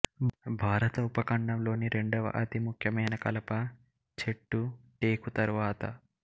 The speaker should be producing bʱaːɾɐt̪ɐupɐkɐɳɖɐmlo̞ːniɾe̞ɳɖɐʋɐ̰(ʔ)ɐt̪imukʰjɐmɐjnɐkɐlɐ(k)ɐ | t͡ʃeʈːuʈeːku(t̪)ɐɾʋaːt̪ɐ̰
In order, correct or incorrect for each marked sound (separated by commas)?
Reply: correct, incorrect, correct